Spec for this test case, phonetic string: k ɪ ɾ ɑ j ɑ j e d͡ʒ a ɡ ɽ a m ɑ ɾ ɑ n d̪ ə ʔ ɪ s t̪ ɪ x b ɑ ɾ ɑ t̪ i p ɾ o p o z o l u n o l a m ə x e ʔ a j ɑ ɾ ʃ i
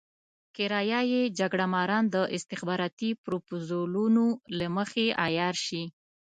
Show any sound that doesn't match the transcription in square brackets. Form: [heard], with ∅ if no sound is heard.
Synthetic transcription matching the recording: k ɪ ɾ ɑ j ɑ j e d͡ʒ a ɡ ɽ a m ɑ ɾ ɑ n d̪ ə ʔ ɪ s t̪ ɪ x b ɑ ɾ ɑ t̪ i p ɾ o p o z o l u n o l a m ə x e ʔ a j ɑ ɾ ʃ i